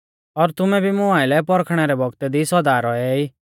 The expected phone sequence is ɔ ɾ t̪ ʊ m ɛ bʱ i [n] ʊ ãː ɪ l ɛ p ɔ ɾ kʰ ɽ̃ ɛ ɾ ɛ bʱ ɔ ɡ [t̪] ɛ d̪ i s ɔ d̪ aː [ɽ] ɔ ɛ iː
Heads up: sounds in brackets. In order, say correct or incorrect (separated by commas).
incorrect, correct, incorrect